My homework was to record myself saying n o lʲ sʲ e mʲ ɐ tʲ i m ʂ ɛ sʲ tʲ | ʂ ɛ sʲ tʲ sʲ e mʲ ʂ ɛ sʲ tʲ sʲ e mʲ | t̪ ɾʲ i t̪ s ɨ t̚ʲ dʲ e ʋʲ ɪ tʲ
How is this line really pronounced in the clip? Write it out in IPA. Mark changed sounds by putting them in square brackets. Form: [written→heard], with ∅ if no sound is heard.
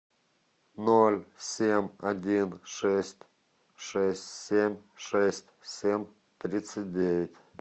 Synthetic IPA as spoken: n o lʲ sʲ e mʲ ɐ [tʲ→dʲ] i [m→n] ʂ ɛ sʲ tʲ | ʂ ɛ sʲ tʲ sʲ e mʲ ʂ ɛ sʲ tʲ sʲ e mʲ | t̪ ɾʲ i t̪ s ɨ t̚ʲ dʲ e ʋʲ ɪ tʲ